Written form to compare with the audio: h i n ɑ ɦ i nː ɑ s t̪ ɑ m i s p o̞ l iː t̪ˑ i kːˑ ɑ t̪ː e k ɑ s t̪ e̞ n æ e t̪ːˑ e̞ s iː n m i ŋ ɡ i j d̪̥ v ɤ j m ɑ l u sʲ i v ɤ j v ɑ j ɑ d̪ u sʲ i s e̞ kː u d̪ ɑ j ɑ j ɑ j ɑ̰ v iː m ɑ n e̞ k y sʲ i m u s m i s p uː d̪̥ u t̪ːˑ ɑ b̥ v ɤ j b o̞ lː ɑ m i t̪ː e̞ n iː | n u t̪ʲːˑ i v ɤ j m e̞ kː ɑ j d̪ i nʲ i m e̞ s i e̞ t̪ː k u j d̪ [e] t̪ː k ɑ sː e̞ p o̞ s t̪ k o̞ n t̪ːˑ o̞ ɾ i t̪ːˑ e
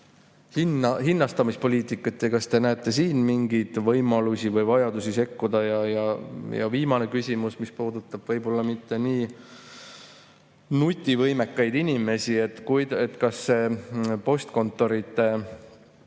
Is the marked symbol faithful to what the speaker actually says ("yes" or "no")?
yes